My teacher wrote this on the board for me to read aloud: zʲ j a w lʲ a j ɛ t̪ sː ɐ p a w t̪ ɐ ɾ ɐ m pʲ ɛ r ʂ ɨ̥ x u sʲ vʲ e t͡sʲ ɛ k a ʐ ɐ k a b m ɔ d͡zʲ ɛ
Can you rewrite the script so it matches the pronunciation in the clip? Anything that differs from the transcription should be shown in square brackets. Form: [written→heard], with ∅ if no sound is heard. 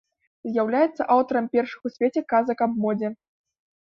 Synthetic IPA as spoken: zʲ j a w lʲ a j ɛ t̪ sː ɐ [p→ʔ] a w t̪ ɐ ɾ ɐ m pʲ ɛ r ʂ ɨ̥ x u sʲ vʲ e t͡sʲ ɛ k a [ʐ→z] ɐ k a b m ɔ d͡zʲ ɛ

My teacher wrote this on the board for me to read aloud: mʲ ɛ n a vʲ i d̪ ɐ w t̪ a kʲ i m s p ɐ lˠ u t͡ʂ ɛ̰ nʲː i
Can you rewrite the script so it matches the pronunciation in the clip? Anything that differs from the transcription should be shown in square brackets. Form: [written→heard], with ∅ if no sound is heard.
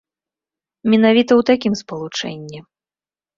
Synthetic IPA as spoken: mʲ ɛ n a vʲ i [d̪→t̪] ɐ w t̪ a kʲ i m s p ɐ lˠ u t͡ʂ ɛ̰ nʲː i

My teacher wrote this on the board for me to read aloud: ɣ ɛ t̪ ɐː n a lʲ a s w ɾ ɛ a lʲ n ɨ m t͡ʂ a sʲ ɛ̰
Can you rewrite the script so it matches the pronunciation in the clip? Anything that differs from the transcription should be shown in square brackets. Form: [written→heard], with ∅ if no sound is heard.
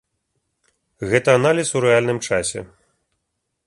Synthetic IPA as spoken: ɣ ɛ t̪ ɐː n a lʲ [a→i] s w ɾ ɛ a lʲ n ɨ m t͡ʂ a sʲ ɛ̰

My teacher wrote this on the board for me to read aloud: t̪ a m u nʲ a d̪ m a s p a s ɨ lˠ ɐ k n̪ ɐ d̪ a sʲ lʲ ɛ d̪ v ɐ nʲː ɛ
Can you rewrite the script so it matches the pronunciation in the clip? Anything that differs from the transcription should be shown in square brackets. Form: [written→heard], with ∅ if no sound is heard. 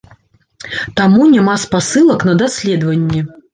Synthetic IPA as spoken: t̪ a m u nʲ a [d̪→∅] m a s p a s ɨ lˠ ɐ k n̪ ɐ d̪ a sʲ lʲ ɛ d̪ v ɐ nʲː ɛ

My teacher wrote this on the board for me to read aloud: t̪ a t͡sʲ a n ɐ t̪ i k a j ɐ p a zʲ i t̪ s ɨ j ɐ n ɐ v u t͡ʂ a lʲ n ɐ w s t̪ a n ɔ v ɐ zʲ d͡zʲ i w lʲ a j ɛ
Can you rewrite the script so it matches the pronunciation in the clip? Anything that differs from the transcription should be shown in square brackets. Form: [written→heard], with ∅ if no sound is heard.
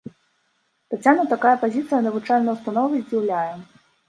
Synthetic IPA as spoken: t̪ a t͡sʲ a n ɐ t̪ [i→a] k a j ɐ p a zʲ i t̪ s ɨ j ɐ n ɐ v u t͡ʂ a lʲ n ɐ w s t̪ a n ɔ v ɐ zʲ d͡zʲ i w lʲ a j ɛ

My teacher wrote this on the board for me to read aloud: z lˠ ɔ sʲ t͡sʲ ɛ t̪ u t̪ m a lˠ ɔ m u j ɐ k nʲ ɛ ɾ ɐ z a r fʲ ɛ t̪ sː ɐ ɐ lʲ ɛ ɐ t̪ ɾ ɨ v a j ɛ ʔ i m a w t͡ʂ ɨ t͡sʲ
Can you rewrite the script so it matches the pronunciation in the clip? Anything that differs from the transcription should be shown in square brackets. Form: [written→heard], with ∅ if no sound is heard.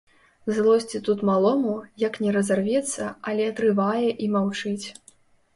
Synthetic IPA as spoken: z lˠ ɔ sʲ t͡sʲ [ɛ→i] t̪ u t̪ m a lˠ ɔ m u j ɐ k nʲ ɛ ɾ ɐ z a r [fʲ→vʲ] ɛ t̪ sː ɐ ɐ lʲ ɛ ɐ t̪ ɾ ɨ v a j ɛ ʔ i m a w t͡ʂ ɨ t͡sʲ

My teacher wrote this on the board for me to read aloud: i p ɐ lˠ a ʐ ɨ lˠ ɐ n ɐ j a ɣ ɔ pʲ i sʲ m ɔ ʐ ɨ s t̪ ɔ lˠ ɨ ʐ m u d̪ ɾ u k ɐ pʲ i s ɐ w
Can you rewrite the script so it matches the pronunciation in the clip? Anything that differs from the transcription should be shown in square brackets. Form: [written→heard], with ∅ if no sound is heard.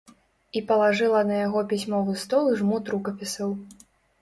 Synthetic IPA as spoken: i p ɐ lˠ a ʐ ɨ lˠ ɐ n ɐ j a ɣ ɔ pʲ i sʲ m ɔ [ʐ→v] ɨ s t̪ ɔ lˠ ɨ ʐ m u [d̪→t̪] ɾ u k ɐ pʲ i s ɐ w

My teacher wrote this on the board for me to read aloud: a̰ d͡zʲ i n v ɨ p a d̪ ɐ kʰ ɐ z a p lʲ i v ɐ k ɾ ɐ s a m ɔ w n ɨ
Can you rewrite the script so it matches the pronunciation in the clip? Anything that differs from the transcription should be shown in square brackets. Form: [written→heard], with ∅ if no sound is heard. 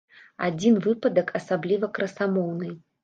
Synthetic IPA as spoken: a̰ d͡zʲ i n v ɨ p [a→ɐ] d̪ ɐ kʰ ɐ [z→s] a [p→b] lʲ i v ɐ k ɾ ɐ s a m ɔ w n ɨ

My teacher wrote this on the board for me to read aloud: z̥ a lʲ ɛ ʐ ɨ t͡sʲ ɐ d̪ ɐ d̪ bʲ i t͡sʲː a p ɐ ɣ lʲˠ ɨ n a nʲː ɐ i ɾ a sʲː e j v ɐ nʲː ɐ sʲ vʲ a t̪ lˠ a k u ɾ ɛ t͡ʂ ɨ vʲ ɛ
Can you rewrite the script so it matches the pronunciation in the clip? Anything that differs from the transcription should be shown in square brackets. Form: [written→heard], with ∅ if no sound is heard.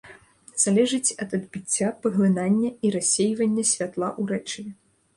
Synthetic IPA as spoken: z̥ a lʲ ɛ ʐ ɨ t͡sʲ ɐ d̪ ɐ d̪ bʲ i t͡sʲː a p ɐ ɣ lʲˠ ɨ n a nʲː ɐ i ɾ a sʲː e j v ɐ nʲː ɐ sʲ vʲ a t̪ lˠ a [k→ʔ] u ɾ ɛ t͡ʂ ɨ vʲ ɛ

